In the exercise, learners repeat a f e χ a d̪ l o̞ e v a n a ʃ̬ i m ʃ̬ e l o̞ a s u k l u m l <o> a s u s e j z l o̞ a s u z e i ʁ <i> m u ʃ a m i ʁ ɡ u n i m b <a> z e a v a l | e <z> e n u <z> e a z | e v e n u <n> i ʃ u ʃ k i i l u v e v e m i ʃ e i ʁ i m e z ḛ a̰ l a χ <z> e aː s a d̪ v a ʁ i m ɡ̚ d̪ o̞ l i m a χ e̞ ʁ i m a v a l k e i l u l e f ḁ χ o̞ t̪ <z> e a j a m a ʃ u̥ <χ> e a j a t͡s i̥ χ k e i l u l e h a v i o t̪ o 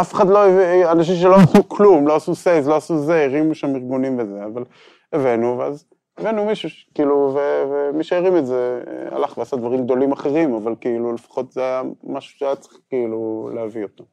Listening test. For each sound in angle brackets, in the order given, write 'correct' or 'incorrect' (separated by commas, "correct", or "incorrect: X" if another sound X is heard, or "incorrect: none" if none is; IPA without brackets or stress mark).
correct, correct, incorrect: e, incorrect: v, incorrect: v, incorrect: m, incorrect: v, correct, incorrect: ʃ